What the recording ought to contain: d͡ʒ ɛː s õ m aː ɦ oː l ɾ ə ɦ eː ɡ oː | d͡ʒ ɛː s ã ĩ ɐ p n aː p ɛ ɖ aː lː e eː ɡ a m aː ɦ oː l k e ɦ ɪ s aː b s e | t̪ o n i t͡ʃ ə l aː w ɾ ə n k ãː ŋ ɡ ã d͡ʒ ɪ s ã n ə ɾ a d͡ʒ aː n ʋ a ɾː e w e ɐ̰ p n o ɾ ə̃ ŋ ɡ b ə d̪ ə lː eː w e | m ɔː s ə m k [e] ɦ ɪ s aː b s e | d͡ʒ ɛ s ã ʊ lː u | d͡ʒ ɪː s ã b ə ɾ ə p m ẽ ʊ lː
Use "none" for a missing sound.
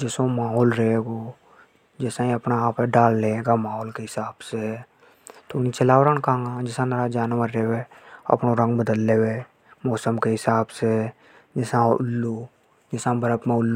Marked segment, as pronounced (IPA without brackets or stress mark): e